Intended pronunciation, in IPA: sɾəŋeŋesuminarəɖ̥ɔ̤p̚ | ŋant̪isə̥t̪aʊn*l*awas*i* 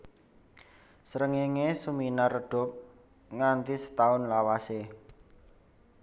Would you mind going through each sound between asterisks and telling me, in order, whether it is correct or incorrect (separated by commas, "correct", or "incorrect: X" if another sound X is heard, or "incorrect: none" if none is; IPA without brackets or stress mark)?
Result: correct, incorrect: e